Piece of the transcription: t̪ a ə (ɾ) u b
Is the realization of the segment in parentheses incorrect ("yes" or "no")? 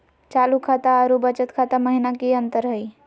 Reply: no